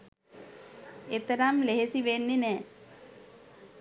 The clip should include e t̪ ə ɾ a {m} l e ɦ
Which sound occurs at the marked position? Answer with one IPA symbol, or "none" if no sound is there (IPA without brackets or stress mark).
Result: m